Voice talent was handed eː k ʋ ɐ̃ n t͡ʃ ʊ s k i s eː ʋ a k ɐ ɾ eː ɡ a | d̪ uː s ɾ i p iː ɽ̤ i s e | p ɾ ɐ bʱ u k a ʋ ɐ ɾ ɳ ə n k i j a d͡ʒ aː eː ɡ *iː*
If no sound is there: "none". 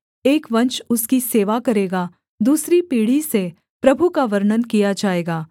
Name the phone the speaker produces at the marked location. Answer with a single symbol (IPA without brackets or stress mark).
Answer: aː